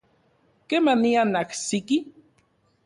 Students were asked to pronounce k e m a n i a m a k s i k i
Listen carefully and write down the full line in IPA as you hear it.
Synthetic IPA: k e m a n i a n a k s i k i